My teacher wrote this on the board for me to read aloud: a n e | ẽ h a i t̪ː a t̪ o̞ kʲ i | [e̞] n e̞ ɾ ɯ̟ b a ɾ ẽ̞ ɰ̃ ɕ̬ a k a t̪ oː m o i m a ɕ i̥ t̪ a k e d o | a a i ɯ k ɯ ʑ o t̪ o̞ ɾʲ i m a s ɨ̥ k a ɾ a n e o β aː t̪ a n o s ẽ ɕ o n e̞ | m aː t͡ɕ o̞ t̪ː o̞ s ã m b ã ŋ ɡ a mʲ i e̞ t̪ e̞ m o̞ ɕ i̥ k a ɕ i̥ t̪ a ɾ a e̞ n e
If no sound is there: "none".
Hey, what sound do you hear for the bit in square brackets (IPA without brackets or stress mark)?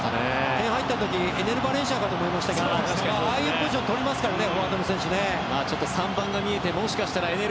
e̞